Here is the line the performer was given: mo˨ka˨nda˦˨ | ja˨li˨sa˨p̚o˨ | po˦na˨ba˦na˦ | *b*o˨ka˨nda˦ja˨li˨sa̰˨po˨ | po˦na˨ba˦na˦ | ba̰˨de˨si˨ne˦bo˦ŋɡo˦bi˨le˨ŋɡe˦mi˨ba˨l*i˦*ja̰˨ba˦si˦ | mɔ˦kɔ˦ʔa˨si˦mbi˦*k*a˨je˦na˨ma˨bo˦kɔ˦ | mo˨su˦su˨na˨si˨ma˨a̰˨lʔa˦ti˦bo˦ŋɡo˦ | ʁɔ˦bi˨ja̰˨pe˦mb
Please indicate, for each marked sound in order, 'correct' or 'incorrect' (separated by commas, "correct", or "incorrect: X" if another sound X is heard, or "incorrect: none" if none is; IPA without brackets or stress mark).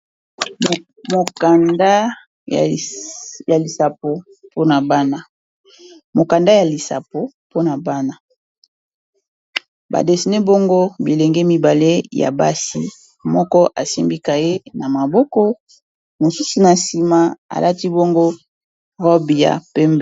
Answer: incorrect: m, incorrect: e˦, correct